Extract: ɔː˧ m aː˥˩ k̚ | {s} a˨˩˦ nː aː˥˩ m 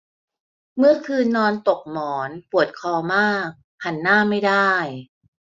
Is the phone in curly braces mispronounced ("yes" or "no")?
yes